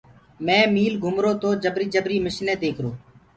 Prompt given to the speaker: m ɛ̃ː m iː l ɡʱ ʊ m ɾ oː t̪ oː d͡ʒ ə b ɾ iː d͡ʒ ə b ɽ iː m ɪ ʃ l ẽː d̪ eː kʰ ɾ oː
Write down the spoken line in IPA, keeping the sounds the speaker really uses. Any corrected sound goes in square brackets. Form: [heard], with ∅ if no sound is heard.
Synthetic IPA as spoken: m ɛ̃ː m iː l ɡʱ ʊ m ɾ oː t̪ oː d͡ʒ ə b ɾ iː d͡ʒ ə b [ɾ] iː m ɪ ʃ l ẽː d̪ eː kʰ ɾ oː